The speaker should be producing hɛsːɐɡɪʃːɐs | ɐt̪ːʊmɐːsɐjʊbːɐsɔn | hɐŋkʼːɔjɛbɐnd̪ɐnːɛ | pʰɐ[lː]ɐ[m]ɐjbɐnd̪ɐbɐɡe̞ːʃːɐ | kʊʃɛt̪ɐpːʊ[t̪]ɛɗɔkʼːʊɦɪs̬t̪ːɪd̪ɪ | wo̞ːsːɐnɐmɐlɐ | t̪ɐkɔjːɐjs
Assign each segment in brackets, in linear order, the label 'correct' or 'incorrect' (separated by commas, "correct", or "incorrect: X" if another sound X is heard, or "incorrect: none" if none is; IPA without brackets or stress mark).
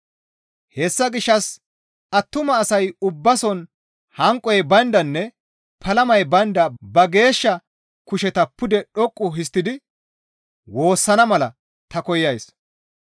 incorrect: l, correct, incorrect: d̪